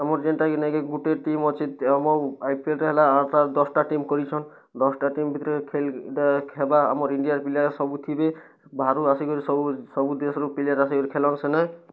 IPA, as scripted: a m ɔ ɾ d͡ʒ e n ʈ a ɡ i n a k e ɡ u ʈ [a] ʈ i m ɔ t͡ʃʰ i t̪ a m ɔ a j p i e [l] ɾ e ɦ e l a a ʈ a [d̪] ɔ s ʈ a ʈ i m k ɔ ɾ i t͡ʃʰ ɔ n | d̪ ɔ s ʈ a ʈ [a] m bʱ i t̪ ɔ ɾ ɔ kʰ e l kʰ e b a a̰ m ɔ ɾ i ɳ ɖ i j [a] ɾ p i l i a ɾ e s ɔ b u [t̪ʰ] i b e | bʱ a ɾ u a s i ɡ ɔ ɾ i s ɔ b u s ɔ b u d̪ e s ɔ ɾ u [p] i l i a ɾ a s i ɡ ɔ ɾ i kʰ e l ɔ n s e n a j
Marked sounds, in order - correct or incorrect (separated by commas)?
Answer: incorrect, correct, correct, incorrect, correct, correct, correct